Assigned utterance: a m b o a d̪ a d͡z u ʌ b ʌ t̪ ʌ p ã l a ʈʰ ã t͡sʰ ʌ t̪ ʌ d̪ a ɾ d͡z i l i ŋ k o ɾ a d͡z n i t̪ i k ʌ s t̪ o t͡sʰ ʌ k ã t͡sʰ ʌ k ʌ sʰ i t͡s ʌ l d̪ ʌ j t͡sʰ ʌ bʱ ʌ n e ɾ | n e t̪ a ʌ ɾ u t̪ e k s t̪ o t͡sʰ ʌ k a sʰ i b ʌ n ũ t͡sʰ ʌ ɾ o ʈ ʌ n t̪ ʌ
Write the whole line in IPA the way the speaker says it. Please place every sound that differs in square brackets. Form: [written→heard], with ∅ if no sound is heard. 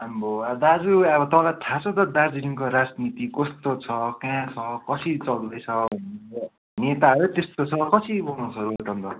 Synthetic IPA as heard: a m b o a d̪ a d͡z u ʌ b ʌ t̪ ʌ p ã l a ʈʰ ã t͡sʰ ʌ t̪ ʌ d̪ a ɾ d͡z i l i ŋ k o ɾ a d͡z n i t̪ i k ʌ s t̪ o t͡sʰ ʌ k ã t͡sʰ ʌ k ʌ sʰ i t͡s ʌ l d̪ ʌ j t͡sʰ ʌ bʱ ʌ n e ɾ | n e t̪ a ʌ ɾ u t̪ e [k→∅] s t̪ o t͡sʰ ʌ k [a→ʌ] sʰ i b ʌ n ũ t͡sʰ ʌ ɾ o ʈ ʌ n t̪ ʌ